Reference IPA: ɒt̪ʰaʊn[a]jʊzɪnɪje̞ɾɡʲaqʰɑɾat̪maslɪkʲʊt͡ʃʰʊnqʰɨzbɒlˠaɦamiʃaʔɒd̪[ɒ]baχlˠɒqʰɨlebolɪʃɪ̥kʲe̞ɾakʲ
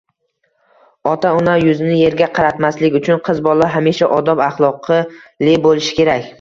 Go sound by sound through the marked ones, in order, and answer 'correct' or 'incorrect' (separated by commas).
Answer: correct, correct